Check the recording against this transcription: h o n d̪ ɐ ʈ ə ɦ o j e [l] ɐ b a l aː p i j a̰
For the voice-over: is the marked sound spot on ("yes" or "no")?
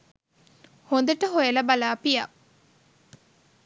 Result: yes